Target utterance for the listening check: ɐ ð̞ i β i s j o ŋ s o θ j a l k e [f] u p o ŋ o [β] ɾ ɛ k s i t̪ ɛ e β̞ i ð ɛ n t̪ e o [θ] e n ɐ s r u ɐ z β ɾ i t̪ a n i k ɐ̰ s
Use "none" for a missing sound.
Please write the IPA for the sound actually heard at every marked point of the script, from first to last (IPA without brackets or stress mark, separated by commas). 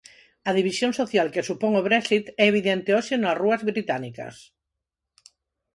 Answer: s, β, ʃ